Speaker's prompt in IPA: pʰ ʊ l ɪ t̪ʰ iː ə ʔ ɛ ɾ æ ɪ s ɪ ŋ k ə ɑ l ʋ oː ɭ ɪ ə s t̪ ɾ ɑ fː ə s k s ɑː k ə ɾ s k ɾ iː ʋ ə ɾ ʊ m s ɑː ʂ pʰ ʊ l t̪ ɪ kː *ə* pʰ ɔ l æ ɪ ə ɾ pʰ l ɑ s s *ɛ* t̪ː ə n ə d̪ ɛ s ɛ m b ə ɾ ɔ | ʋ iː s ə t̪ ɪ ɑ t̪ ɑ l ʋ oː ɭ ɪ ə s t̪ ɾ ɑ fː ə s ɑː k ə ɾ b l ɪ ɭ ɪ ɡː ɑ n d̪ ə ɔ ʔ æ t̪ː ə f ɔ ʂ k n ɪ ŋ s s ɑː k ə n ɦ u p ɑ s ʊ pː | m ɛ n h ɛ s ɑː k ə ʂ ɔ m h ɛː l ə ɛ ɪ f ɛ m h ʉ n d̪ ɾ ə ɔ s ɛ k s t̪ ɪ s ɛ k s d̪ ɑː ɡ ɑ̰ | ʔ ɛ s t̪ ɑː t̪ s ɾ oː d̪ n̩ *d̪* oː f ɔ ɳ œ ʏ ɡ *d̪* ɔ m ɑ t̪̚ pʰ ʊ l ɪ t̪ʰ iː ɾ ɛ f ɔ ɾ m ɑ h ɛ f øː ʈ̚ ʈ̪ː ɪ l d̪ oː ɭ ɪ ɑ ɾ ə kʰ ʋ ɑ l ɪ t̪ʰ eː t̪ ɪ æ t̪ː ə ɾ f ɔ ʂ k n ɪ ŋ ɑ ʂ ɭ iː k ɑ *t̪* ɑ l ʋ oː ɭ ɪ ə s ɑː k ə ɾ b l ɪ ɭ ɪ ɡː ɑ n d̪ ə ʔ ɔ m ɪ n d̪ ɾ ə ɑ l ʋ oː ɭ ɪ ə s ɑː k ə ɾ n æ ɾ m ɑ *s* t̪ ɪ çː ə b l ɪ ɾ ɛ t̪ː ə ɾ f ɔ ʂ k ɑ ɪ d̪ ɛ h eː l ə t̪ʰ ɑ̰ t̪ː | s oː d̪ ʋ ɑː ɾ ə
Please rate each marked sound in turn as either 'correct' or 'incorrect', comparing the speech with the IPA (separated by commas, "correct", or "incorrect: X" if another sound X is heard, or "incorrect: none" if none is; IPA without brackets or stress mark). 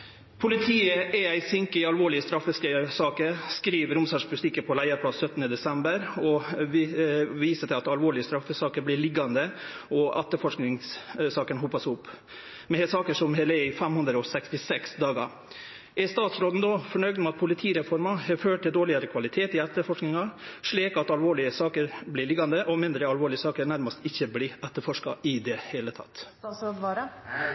correct, incorrect: œ, correct, correct, correct, correct